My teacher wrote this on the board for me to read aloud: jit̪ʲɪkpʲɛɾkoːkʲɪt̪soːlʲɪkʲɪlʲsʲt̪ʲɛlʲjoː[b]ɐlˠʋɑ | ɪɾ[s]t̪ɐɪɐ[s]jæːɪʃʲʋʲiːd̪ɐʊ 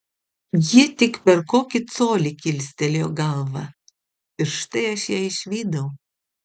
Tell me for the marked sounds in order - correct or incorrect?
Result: incorrect, incorrect, incorrect

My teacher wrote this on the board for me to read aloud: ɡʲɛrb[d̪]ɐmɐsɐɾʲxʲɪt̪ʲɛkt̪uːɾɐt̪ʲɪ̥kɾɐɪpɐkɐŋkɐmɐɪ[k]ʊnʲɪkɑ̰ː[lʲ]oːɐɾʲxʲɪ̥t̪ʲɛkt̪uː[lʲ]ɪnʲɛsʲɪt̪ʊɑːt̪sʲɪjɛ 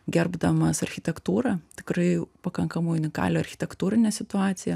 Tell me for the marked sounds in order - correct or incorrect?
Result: correct, incorrect, correct, incorrect

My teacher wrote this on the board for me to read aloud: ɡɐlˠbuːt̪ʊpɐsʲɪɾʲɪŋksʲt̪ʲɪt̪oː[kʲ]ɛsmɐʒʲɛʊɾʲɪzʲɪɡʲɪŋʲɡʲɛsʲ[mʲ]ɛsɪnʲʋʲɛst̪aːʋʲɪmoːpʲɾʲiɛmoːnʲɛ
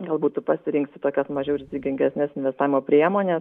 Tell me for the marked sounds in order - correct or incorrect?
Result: correct, incorrect

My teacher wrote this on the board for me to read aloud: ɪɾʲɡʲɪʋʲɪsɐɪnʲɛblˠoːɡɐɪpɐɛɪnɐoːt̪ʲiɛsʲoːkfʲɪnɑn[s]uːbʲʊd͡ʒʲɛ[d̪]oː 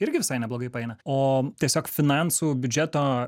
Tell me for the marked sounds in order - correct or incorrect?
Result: correct, incorrect

